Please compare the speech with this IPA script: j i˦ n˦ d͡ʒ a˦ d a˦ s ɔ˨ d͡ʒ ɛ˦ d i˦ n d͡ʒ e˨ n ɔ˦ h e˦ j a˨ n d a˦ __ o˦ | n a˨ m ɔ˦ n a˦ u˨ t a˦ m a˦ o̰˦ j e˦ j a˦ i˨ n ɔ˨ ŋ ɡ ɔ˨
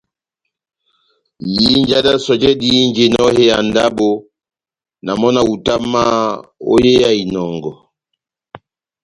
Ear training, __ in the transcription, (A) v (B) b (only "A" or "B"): B